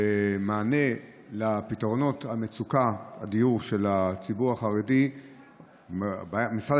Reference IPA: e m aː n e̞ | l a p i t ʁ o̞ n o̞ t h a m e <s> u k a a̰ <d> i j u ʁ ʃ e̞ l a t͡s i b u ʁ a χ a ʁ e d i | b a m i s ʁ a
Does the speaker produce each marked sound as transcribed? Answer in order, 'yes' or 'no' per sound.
no, yes

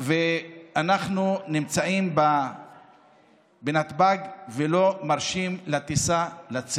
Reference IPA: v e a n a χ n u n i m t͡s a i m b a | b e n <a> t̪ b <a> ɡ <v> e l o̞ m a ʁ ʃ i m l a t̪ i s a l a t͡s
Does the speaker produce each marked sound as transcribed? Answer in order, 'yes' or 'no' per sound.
yes, yes, yes

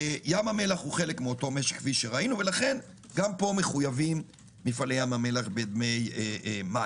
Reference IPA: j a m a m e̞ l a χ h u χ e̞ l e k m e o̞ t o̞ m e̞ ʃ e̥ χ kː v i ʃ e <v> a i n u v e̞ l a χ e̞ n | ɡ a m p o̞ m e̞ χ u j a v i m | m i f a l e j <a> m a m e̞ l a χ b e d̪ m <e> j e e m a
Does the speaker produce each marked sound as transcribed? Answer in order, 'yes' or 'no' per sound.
no, yes, yes

